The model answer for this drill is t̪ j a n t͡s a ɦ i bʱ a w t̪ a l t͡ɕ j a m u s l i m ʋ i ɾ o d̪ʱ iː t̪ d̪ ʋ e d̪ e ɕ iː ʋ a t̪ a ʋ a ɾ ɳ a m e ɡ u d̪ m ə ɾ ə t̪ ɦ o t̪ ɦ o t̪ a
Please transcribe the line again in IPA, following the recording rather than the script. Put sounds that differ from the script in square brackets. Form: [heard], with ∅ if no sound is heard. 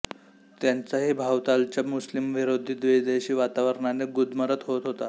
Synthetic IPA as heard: t̪ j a n t͡s a ɦ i bʱ a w t̪ a l t͡ɕ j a m u s l i m ʋ i ɾ o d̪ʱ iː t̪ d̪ ʋ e d̪ e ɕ iː ʋ a t̪ a ʋ [ə] ɾ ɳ a [n] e ɡ u d̪ m ə ɾ ə t̪ ɦ o t̪ ɦ o t̪ a

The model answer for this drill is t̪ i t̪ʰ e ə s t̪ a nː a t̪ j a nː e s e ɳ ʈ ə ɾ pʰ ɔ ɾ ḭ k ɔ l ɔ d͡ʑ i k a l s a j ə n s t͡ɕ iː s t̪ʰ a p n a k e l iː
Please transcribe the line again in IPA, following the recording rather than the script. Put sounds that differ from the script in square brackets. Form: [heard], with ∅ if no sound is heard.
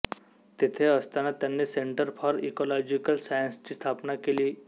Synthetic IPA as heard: t̪ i t̪ʰ e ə s t̪ a [n] a t̪ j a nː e s e ɳ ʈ ə ɾ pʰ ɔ ɾ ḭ k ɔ l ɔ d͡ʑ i k [ə] l s a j ə n s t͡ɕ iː s t̪ʰ a p n a k e l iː

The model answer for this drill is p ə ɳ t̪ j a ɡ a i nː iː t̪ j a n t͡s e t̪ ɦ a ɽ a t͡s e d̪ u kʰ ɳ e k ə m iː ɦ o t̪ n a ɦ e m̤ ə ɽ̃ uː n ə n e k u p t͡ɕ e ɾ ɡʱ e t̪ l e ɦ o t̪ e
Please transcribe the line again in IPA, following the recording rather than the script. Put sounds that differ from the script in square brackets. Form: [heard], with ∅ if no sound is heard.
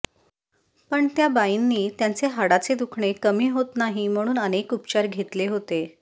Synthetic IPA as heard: p ə ɳ t̪ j a [b] a i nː iː t̪ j a n t͡s e [∅] ɦ a ɽ a t͡s e d̪ u kʰ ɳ e k ə m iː ɦ o t̪ n a ɦ [i] m̤ ə ɽ̃ uː n ə n e k u p t͡ɕ [a] ɾ ɡʱ e t̪ l e ɦ o t̪ e

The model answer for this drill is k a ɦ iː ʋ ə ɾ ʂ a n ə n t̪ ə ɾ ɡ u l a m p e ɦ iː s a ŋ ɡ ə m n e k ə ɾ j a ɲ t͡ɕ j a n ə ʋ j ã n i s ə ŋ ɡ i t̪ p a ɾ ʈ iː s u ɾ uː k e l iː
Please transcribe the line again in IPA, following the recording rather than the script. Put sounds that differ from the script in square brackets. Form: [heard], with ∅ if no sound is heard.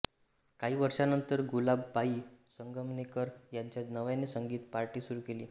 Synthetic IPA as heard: k a ɦ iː ʋ ə ɾ ʂ a n ə n t̪ ə ɾ ɡ u l a [b] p [a] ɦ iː s [ə] ŋ ɡ ə m n e k ə ɾ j a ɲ t͡ɕ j a n ə ʋ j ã n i s ə ŋ ɡ [iː] t̪ p a ɾ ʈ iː s u ɾ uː k e l iː

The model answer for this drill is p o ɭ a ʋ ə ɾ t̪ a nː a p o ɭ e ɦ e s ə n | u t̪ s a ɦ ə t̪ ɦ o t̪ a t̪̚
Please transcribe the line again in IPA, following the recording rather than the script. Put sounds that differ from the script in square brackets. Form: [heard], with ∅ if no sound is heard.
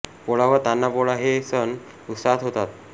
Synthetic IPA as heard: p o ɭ a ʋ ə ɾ t̪ a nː a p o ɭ [a] ɦ e s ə n | u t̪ s a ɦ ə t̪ ɦ o t̪ a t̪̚

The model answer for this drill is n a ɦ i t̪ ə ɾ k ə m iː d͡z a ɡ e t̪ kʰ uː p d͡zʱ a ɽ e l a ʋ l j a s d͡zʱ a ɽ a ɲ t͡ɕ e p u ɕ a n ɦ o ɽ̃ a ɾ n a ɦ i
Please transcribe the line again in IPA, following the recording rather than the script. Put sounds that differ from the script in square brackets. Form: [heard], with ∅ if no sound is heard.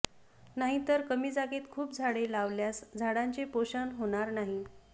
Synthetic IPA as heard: n a ɦ i t̪ ə ɾ k ə m iː d͡z a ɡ e t̪ kʰ uː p d͡zʱ a ɽ e l a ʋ l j a s d͡zʱ a ɽ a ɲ t͡ɕ e p [o] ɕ a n ɦ o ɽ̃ a ɾ n a ɦ i

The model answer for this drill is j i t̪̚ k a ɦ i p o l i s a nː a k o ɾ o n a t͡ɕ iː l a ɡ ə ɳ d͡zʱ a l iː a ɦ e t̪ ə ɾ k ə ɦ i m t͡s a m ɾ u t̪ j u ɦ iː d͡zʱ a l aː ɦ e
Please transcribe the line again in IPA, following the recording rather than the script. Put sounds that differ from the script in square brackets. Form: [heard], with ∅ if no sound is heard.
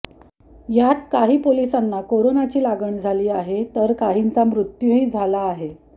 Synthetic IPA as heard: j [a] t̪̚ k a ɦ [iː] p o l i s a nː a k o ɾ o n a t͡ɕ iː l a ɡ ə ɳ d͡zʱ a l iː a ɦ e t̪ ə ɾ k [a] ɦ i [n] t͡s a m ɾ u t̪ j u ɦ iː d͡zʱ a l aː ɦ e

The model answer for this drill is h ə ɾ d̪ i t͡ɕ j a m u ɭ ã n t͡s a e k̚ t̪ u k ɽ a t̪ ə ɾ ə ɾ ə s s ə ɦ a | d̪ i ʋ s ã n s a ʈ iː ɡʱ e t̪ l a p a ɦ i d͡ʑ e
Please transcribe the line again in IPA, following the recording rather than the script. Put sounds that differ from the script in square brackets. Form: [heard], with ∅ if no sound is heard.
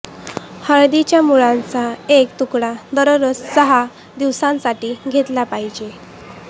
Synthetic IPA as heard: h ə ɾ d̪ i t͡ɕ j a m u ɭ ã n t͡s a e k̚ t̪ u k ɽ a [d̪] ə ɾ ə ɾ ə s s ə ɦ a | d̪ i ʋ s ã n s a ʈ iː ɡʱ e t̪ l a p a ɦ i d͡ʑ e

